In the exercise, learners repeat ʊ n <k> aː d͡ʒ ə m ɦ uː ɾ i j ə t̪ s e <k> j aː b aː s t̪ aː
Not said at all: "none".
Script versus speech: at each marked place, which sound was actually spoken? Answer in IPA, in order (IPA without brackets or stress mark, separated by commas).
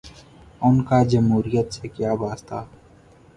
k, k